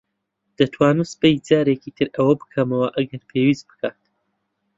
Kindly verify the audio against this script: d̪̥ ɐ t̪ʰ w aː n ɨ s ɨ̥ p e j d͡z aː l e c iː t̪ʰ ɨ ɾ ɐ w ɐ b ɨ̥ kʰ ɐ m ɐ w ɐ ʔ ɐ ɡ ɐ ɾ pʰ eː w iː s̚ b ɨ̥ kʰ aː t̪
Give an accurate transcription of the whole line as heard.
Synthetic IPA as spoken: d̪̥ ɐ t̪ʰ w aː n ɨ s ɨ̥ p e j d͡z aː ɾ e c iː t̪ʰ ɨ ɾ ɐ w ɐ b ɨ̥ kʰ ɐ m ɐ w ɐ ʔ ɐ ɡ ɐ ɾ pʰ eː w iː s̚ b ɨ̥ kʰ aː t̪